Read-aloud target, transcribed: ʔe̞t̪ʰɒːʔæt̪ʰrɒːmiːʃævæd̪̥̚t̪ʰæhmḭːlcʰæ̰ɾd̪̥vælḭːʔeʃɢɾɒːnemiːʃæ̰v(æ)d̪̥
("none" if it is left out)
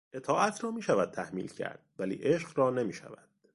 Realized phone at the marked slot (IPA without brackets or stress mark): æ